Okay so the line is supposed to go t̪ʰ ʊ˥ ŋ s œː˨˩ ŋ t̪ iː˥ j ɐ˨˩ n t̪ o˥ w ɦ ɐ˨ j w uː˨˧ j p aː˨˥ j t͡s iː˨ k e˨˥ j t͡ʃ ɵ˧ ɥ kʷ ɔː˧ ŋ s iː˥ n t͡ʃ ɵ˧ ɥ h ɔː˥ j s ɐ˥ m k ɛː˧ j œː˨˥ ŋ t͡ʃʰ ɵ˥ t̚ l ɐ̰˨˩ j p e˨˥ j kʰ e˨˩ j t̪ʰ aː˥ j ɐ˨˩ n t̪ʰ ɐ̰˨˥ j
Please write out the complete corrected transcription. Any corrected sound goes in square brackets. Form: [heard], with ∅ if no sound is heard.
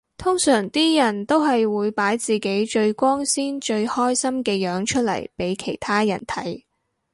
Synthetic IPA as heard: t̪ʰ ʊ˥ ŋ s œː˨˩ ŋ t̪ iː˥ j ɐ˨˩ n t̪ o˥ w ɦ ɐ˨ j w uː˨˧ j p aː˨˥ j t͡s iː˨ k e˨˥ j t͡ʃ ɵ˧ ɥ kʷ [ɔː˥] ŋ s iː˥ n t͡ʃ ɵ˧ ɥ h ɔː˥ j s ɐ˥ m k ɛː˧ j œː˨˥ ŋ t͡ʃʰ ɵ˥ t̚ l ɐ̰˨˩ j p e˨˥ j kʰ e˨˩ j t̪ʰ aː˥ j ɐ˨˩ n t̪ʰ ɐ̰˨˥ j